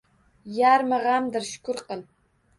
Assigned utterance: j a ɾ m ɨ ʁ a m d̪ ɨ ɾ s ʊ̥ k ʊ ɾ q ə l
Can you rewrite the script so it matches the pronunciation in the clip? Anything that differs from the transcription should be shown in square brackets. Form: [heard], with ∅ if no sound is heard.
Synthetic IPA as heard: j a ɾ m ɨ ʁ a m d̪ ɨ ɾ [ʃ] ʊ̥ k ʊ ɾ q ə l